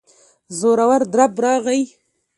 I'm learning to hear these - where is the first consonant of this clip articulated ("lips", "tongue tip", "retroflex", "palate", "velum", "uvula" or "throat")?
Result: tongue tip